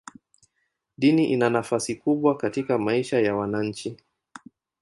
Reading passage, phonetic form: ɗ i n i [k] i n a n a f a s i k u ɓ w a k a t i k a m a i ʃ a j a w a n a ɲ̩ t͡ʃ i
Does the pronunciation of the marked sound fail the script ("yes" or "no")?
yes